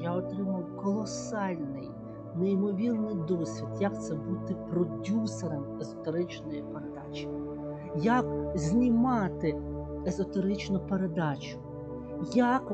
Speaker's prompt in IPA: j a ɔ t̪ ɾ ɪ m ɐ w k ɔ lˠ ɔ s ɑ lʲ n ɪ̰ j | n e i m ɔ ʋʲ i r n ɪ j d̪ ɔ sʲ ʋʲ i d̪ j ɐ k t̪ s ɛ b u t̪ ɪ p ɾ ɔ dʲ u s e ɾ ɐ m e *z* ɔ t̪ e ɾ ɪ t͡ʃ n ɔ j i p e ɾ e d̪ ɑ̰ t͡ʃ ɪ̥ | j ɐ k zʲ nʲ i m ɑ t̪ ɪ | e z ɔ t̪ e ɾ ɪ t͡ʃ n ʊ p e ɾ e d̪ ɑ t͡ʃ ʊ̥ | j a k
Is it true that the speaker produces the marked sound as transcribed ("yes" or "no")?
yes